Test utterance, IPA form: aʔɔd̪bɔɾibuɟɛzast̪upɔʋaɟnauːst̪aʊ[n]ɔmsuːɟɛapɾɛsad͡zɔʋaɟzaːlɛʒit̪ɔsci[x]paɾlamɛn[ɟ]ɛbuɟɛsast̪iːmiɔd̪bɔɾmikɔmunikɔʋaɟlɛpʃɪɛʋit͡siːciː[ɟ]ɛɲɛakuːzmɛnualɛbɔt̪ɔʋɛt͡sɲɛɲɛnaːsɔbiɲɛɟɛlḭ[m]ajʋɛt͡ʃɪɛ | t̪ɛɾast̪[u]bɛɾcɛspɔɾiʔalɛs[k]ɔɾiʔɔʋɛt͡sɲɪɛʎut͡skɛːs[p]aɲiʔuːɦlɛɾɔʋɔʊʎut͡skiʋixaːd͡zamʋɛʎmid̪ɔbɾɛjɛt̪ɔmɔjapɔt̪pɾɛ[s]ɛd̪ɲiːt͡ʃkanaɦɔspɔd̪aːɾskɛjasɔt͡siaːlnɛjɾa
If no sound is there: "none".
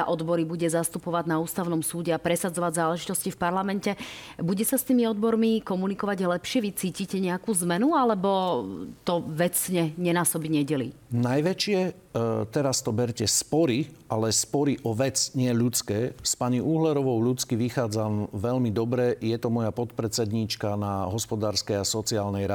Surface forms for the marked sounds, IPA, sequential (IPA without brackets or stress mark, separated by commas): n, f, c, c, n, ɔ, p, p, t͡s